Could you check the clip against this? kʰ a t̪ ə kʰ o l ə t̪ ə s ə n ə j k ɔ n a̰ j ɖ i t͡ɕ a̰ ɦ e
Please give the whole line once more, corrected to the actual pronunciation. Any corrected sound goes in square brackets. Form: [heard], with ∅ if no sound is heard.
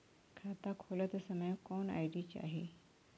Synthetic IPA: kʰ a t̪ [a] kʰ o l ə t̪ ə s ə [m] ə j k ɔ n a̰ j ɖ i t͡ɕ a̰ ɦ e